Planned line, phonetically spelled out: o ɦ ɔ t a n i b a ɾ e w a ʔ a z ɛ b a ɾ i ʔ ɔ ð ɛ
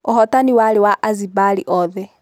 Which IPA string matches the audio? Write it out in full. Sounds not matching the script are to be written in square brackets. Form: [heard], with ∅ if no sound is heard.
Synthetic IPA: o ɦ ɔ t a n i [w] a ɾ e w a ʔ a z [i] b a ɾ i ʔ ɔ ð ɛ